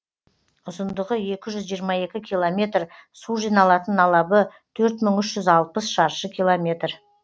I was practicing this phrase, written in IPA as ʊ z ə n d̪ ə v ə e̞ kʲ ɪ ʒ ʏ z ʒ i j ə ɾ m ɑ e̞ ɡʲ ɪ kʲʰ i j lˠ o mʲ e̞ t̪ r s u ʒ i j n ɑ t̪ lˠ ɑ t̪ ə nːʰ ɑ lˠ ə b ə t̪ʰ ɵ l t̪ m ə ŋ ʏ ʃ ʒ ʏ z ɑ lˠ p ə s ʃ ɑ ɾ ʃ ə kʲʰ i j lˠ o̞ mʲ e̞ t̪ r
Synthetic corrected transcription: ʊ z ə n d̪ ə ʁ ə e̞ kʲ ɪ ʒ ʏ z ʒ i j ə ɾ m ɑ e̞ kʲ ɪ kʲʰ i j lˠ o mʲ e̞ t̪ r s u ʒ i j n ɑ lˠ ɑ t̪ ə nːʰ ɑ lˠ ɑ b ə t̪ʰ ɵ ɾ t̪ m ə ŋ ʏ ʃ ʒ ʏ z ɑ lˠ p ə s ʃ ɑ ɾ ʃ ə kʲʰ i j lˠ o̞ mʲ e̞ t̪ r